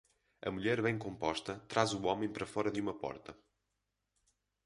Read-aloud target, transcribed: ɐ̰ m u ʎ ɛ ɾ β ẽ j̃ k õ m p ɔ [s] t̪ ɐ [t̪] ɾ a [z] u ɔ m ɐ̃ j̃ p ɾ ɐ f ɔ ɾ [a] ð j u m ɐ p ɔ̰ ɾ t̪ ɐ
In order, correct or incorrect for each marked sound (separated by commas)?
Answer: incorrect, correct, correct, incorrect